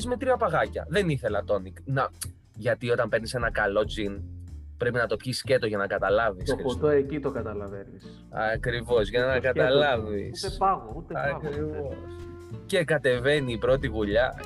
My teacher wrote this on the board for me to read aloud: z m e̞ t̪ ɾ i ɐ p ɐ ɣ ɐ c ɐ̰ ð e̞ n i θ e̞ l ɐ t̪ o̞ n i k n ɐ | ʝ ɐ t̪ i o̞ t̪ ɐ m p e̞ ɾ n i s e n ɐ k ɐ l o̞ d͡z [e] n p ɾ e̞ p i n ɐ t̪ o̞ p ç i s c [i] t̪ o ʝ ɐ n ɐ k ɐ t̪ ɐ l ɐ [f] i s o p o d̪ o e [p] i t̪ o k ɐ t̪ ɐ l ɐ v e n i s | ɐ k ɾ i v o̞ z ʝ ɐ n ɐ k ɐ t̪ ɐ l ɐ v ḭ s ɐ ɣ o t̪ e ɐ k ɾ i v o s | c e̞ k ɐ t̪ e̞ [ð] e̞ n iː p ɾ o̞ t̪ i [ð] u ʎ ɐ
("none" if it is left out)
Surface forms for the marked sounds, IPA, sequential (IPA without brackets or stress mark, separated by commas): i, e, v, c, v, ɣ